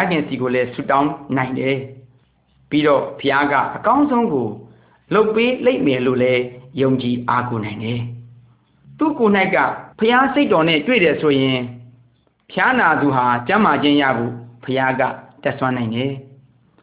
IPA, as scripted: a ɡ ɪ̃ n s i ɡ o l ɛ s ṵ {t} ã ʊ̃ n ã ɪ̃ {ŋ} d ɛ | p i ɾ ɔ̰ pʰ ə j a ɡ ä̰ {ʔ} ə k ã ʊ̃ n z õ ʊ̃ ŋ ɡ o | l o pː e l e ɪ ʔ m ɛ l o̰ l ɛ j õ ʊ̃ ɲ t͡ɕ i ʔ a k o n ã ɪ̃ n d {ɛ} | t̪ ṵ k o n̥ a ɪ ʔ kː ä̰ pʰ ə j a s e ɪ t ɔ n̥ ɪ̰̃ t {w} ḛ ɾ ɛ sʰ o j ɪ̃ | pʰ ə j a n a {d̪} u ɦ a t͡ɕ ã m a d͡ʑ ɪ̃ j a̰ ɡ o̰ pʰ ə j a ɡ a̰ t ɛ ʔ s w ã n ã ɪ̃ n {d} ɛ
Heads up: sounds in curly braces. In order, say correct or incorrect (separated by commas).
correct, incorrect, correct, correct, correct, correct, correct